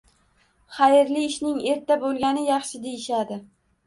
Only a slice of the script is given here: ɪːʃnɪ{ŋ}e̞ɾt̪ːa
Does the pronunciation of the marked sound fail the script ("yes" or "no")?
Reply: no